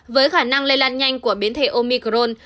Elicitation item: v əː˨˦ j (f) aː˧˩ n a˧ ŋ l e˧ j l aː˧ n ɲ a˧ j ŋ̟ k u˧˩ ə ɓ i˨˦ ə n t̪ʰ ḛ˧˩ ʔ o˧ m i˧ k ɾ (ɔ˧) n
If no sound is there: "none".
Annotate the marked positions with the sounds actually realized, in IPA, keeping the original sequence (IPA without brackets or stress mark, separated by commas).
x, o˧